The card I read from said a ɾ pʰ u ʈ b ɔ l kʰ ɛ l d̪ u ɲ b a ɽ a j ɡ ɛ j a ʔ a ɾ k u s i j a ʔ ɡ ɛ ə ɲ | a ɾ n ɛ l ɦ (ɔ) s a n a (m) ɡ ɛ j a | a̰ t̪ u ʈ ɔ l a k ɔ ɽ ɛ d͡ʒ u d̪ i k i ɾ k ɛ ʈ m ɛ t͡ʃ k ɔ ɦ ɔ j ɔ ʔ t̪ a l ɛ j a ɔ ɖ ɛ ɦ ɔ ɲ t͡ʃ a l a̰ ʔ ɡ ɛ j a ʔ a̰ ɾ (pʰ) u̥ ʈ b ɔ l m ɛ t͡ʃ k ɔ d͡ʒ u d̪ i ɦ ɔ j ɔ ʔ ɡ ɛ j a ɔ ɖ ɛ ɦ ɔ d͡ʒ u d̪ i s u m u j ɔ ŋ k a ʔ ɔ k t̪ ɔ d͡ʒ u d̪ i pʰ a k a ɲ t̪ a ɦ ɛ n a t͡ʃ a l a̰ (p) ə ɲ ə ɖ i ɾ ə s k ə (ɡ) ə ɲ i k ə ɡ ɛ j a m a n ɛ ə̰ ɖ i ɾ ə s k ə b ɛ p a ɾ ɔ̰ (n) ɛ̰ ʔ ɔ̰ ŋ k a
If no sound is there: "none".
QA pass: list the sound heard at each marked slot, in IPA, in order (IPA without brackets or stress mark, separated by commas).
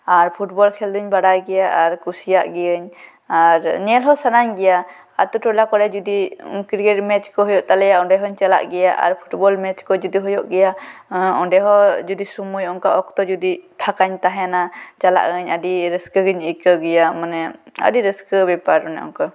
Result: ɔ, ɲ, pʰ, ʔ, ɡ, n